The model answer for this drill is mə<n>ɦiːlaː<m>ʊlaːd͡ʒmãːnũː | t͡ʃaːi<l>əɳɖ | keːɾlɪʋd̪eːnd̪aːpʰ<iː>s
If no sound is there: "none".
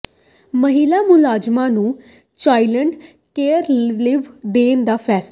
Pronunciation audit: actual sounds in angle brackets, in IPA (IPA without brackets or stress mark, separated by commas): none, m, l, ɛː